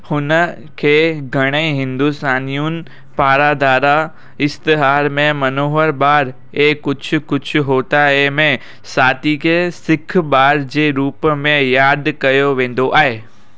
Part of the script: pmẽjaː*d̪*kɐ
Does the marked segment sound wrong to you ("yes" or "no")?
no